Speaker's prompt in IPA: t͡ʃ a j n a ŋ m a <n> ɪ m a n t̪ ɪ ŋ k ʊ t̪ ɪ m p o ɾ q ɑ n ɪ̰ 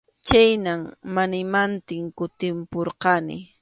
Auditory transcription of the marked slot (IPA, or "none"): n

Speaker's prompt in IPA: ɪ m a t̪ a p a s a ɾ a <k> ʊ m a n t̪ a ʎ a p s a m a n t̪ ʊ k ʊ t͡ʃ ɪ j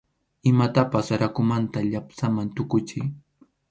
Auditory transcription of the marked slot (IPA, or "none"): k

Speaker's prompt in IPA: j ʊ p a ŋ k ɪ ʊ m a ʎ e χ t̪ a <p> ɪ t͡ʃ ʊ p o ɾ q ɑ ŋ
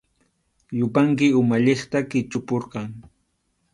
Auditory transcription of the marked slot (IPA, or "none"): k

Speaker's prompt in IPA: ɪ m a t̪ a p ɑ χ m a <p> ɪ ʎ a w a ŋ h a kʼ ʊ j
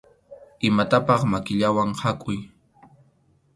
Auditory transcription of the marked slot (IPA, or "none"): k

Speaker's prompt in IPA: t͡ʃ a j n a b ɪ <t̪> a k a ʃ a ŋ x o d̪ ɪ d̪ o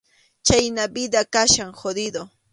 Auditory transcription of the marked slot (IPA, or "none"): d̪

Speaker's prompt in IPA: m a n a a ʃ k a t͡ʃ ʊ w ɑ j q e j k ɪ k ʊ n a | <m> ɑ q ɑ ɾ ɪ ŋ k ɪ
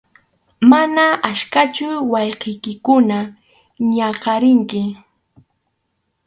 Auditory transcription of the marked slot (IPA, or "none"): ɲ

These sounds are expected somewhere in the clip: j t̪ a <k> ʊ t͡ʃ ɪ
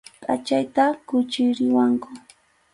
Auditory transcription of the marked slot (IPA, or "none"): k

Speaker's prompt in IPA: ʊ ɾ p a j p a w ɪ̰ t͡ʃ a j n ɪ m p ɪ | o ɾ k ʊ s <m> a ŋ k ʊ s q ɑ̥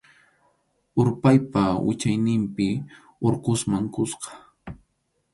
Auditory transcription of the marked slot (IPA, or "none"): m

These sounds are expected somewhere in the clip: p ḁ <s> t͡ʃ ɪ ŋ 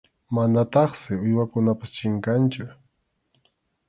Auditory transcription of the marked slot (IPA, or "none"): s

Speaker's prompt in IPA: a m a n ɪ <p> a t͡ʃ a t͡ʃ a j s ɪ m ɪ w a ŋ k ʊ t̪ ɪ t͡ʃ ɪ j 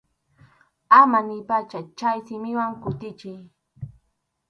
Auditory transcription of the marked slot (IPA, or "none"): p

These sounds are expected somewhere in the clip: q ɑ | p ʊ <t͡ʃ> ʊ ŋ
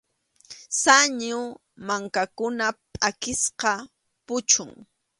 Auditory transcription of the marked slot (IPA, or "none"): t͡ʃ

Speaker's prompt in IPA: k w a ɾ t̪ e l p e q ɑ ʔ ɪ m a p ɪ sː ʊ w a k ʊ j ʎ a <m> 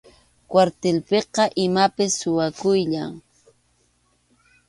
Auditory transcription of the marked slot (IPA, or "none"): ŋ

